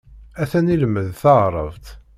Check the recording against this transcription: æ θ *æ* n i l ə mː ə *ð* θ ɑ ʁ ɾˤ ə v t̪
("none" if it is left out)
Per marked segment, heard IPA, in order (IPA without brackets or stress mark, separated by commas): æ, ð